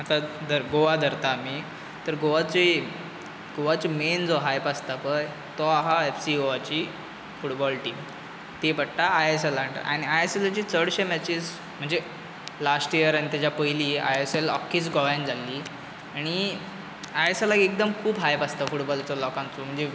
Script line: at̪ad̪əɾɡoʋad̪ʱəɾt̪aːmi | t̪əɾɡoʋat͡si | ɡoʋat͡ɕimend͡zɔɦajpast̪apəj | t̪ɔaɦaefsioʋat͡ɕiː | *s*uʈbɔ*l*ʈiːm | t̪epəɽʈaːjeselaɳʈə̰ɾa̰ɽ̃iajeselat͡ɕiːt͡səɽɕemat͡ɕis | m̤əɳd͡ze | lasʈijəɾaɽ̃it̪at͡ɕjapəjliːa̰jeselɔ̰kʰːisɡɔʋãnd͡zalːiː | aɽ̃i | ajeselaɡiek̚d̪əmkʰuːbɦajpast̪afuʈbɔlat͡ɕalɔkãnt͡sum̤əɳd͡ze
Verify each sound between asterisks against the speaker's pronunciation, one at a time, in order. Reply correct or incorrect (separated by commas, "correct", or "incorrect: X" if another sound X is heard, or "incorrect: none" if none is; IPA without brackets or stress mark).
incorrect: f, correct